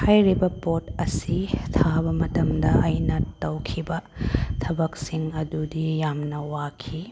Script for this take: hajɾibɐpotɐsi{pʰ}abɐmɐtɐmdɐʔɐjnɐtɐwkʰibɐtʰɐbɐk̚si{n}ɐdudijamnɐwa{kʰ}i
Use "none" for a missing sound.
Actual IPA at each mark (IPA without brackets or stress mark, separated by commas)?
tʰ, ŋ, kʰ